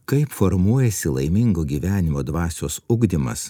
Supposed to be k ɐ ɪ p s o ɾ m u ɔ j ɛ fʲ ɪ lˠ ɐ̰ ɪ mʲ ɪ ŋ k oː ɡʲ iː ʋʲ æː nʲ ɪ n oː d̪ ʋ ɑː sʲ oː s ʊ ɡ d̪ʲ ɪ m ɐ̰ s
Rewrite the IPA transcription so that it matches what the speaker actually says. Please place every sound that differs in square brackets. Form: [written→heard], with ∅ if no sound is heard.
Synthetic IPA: k ɐ ɪ p [s→f] o ɾ m u ɔ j ɛ [fʲ→sʲ] ɪ lˠ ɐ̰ ɪ mʲ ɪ ŋ [k→ɡ] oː ɡʲ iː ʋʲ æː nʲ ɪ [n→m] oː d̪ ʋ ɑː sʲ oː s ʊ ɡ d̪ʲ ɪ m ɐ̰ s